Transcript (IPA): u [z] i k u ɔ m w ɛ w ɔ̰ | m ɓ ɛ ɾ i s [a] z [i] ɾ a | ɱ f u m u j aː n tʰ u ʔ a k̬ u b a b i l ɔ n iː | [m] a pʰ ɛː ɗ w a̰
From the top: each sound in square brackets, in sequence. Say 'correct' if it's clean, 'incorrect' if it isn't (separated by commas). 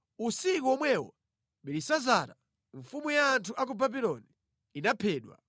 incorrect, correct, incorrect, incorrect